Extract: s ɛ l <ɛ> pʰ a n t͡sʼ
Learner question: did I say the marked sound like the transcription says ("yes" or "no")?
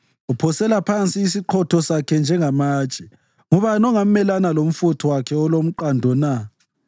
no